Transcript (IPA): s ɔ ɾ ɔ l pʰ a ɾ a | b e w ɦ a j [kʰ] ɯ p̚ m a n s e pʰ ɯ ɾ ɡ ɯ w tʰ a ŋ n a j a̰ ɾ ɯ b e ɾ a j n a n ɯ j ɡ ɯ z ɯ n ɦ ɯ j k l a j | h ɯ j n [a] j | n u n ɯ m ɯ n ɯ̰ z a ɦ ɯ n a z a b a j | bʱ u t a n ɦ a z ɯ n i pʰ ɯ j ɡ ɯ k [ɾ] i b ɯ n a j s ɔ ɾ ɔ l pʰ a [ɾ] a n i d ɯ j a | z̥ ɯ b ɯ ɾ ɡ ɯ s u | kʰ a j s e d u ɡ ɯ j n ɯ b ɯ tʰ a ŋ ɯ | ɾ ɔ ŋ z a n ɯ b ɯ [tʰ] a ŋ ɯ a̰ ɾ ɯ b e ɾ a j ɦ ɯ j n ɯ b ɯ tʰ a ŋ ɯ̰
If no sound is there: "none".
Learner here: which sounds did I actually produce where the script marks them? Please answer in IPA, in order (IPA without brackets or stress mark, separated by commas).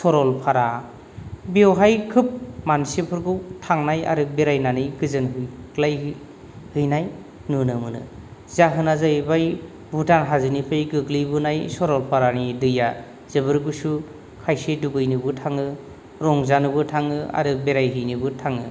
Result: kʰ, a, l, ɾ, tʰ